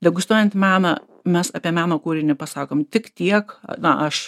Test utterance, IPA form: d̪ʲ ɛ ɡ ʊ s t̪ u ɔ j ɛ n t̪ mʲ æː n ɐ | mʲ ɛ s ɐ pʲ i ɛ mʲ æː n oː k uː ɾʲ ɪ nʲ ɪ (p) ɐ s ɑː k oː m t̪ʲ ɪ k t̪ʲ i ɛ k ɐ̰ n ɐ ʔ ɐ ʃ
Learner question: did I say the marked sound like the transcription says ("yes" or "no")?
yes